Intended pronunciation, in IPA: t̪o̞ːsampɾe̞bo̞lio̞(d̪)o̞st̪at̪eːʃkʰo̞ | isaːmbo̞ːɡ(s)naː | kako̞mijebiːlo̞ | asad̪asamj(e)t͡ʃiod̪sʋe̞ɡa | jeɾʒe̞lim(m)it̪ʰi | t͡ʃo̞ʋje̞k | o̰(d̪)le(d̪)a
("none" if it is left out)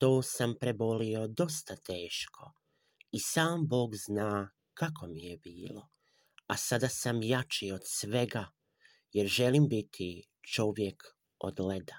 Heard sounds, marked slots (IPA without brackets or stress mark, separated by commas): d̪, z, a, b, d̪, d̪